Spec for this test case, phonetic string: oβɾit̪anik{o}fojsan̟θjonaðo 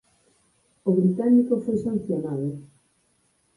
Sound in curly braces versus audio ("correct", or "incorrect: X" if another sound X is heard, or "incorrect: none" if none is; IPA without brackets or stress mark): correct